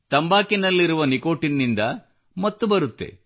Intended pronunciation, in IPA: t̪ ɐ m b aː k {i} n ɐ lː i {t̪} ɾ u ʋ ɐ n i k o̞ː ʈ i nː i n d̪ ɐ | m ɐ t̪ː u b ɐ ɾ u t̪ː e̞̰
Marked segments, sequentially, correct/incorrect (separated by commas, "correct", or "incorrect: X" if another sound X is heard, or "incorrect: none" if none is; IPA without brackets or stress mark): correct, incorrect: none